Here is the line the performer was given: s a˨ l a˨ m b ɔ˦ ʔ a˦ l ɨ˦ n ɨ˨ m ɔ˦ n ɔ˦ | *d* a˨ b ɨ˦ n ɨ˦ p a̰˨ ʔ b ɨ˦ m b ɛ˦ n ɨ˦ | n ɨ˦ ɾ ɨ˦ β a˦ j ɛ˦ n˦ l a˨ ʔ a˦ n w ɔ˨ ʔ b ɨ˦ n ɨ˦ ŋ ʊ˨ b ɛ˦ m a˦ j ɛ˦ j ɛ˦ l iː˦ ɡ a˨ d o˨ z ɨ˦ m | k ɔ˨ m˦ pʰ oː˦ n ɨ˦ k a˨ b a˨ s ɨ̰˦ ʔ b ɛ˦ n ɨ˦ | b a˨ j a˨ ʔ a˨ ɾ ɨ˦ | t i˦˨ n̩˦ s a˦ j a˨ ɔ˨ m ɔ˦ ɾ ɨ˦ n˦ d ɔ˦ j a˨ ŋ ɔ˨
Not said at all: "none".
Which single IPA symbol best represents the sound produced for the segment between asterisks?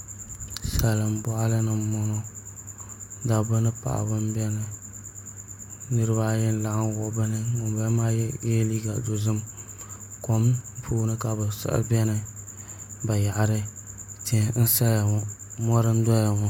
d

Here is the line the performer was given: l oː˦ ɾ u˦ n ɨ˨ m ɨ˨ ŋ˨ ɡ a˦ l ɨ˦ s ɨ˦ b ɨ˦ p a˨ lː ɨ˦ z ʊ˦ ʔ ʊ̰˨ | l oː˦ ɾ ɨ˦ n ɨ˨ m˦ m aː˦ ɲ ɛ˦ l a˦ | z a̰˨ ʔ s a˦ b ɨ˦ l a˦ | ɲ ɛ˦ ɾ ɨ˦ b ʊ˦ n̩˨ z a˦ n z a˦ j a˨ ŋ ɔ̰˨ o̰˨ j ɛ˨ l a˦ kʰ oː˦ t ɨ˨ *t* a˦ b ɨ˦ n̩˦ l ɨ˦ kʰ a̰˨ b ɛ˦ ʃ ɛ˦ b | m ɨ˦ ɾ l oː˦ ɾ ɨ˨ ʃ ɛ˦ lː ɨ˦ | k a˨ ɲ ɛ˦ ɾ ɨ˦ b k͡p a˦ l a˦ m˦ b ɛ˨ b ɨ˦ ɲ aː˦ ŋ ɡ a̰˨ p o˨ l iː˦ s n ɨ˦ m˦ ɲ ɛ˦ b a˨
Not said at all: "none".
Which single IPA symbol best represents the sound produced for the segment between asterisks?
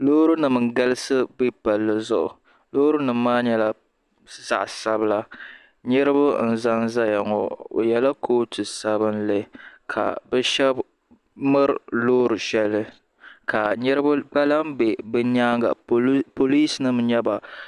s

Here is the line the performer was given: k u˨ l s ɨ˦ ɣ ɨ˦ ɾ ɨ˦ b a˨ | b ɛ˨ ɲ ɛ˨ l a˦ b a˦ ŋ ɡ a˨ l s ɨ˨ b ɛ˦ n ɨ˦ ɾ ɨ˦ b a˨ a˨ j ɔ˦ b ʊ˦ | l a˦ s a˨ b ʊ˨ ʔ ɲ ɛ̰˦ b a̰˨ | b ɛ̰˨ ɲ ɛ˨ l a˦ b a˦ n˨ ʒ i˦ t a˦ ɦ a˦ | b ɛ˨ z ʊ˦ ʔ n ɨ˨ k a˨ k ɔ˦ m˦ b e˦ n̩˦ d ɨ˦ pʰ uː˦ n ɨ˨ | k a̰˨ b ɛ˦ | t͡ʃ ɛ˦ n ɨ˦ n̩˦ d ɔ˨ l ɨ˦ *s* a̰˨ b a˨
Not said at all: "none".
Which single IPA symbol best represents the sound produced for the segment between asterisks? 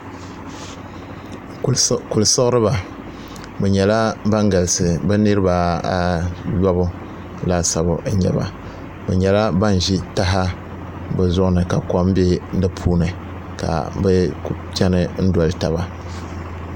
t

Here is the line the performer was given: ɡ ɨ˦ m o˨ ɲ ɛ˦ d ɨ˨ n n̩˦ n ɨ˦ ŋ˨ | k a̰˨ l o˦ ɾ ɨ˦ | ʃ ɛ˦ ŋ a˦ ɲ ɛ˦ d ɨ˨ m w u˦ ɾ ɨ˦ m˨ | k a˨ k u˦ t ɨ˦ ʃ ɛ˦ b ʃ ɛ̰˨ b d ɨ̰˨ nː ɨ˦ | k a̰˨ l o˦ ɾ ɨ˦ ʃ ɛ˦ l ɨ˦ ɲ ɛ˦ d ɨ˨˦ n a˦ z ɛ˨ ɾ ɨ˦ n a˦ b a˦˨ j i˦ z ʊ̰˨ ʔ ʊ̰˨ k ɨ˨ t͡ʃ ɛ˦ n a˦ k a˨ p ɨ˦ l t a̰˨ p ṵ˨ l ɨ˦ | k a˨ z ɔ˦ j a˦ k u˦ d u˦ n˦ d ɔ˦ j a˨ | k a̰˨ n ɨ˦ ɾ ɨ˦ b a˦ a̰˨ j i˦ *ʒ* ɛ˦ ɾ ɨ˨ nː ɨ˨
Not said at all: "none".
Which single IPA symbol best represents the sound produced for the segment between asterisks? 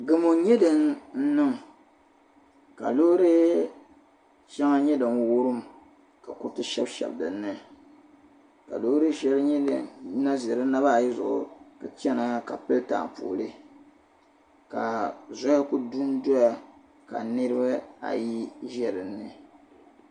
ʒ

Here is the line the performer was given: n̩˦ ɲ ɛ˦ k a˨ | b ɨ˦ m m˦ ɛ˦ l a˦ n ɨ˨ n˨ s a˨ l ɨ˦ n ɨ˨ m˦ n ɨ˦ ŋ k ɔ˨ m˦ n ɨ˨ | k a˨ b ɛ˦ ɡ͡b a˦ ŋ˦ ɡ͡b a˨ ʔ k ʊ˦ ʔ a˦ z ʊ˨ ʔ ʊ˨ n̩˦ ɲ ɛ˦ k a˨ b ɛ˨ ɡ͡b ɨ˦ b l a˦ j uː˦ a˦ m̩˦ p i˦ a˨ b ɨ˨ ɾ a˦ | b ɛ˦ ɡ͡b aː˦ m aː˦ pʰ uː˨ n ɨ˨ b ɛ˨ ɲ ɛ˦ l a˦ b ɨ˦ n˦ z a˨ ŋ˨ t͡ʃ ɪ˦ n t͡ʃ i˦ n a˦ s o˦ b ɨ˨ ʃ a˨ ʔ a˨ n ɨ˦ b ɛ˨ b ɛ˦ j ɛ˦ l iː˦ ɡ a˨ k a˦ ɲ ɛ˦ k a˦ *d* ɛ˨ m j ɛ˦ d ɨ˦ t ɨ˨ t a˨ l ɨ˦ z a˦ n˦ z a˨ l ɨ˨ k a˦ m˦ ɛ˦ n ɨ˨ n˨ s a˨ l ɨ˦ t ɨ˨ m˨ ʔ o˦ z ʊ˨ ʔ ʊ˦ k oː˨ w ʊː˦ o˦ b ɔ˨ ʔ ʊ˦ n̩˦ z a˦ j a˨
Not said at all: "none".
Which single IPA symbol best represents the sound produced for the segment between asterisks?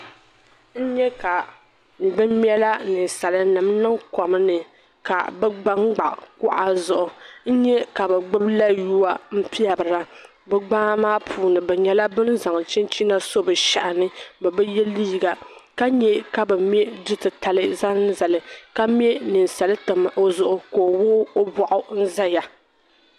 b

